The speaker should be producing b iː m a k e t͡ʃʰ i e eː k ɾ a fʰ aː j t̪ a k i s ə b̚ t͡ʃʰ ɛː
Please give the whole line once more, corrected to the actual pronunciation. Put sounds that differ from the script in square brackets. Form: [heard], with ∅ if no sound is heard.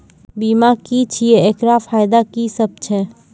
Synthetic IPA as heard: b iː m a k [i] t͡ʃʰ i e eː k ɾ a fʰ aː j [d̪] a k i s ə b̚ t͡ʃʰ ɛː